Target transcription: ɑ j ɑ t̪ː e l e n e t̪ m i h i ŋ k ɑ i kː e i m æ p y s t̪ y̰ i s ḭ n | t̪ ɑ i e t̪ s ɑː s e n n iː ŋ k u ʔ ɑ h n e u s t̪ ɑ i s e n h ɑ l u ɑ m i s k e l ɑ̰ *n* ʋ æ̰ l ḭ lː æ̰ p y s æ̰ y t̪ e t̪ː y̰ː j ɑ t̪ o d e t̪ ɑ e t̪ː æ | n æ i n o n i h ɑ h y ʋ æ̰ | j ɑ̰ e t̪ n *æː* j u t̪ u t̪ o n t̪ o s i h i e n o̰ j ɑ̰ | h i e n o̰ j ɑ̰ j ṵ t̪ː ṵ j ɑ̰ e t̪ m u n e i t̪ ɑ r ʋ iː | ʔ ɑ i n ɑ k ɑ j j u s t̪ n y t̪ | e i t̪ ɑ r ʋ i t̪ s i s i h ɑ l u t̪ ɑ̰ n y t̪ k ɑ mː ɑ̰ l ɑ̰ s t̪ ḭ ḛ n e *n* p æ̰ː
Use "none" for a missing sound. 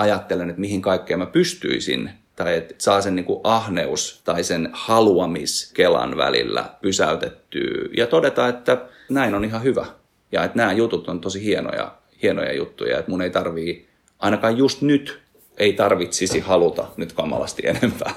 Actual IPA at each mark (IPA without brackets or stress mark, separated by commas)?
n, æː, m